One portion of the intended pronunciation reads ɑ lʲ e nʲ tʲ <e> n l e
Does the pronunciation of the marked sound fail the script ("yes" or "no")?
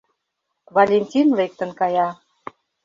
yes